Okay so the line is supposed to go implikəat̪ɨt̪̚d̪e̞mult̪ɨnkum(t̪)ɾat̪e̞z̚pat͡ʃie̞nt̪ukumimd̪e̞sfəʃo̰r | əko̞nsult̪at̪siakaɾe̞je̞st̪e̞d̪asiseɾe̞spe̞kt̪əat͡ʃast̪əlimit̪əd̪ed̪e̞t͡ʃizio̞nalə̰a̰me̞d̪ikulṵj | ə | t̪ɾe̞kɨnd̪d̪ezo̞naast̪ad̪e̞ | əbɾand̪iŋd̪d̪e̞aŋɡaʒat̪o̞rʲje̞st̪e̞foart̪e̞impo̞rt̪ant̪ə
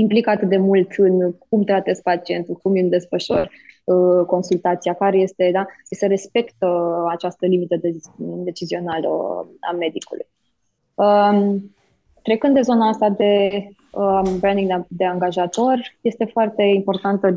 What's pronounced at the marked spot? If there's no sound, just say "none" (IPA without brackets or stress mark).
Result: t̪